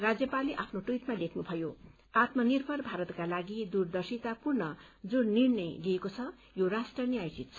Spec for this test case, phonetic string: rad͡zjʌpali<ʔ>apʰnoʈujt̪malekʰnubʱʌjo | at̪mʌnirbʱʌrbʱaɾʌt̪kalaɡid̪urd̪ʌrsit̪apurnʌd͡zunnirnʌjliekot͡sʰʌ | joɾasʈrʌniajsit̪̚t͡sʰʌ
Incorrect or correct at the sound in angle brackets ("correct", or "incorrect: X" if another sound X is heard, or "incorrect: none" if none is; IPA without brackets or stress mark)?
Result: correct